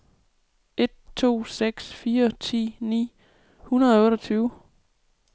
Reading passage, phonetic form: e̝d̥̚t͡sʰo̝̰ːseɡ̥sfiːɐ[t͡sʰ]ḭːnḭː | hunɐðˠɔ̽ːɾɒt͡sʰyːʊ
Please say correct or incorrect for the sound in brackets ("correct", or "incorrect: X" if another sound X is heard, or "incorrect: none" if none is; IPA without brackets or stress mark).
correct